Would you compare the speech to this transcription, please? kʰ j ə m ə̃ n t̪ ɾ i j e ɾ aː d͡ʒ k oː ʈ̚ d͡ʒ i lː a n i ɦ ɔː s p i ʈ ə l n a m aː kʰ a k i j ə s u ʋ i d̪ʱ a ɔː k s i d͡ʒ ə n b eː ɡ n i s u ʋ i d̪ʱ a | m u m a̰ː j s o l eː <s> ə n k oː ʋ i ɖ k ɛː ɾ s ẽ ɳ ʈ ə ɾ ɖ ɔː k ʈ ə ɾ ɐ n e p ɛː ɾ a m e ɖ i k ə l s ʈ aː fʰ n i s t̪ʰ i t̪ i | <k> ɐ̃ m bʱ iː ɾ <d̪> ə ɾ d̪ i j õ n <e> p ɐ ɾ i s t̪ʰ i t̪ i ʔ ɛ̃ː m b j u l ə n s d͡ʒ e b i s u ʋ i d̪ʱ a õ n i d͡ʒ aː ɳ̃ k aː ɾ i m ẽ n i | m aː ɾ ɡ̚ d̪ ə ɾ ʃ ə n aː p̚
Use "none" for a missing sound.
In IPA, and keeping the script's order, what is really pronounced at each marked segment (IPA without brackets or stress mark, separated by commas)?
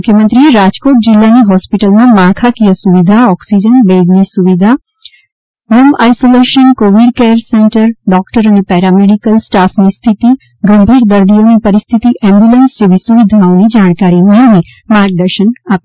ʃ, ɡ, d̪, i